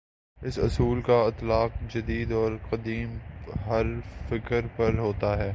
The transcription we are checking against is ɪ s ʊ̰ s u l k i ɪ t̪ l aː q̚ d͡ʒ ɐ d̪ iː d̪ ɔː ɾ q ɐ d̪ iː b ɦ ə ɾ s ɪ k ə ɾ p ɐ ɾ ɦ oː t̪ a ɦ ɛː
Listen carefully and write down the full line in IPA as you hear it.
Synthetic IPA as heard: ɪ s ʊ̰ s uː l k a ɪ t̪ l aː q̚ d͡ʒ ɐ d̪ iː d̪ ɔː ɾ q ɐ d̪ iː m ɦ ɐ ɾ f ɪ k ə ɾ p ɐ ɾ ɦ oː t̪ a ɦ ɛː